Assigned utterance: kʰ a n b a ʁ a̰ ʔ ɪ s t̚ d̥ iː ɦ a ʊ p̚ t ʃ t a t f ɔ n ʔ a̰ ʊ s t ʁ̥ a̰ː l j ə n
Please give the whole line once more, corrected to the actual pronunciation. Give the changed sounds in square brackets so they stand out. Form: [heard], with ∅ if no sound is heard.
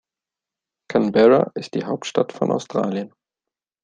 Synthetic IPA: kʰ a n b [ɛ] ʁ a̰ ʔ ɪ s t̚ d̥ iː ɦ a ʊ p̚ t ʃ t a t f ɔ n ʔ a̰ ʊ s t ʁ̥ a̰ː l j ə n